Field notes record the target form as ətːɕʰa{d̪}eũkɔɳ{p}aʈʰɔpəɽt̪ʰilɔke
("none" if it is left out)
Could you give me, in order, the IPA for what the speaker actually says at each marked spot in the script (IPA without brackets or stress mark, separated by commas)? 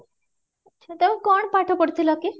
t̪, p